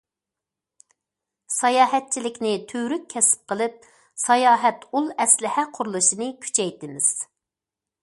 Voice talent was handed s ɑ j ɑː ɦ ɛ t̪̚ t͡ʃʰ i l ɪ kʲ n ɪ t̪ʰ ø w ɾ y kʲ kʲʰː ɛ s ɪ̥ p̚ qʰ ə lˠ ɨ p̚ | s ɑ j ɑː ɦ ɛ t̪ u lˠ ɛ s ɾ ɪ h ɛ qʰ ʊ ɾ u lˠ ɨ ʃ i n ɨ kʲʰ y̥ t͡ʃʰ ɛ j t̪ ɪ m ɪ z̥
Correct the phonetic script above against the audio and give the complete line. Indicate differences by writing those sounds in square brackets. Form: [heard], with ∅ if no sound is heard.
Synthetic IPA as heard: s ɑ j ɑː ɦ ɛ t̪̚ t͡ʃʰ i l ɪ kʲ n ɪ t̪ʰ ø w ɾ y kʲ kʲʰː ɛ s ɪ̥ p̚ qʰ ə lˠ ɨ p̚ | s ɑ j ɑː ɦ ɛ t̪ u lˠ ɛ s [l] ɪ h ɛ qʰ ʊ ɾ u lˠ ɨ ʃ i n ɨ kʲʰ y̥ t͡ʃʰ ɛ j t̪ ɪ m ɪ z̥